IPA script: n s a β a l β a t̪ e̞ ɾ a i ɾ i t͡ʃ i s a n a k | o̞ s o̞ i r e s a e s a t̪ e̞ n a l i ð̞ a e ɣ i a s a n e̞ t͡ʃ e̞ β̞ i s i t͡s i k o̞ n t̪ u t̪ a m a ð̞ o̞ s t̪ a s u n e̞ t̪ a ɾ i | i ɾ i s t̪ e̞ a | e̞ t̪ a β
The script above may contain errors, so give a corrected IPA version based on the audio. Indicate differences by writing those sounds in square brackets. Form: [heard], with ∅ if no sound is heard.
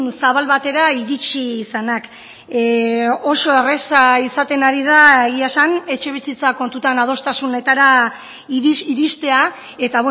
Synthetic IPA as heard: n s a β a l β a t̪ e̞ ɾ a i ɾ i t͡ʃ i s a n a k | o̞ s o̞ [e] r e s a [i] s a t̪ e̞ n a [ɾ] i ð̞ a e ɣ i a s a n e̞ t͡ʃ e̞ β̞ i s i t͡s [a] k o̞ n t̪ u t̪ a [n] a ð̞ o̞ s t̪ a s u n e̞ t̪ a ɾ [a] | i ɾ i s t̪ e̞ a | e̞ t̪ a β